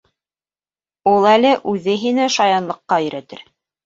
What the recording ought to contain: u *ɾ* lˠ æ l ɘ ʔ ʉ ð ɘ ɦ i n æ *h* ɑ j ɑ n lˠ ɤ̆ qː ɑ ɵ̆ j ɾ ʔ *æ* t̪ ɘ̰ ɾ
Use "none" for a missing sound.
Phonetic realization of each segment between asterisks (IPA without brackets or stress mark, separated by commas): none, ʃ, æ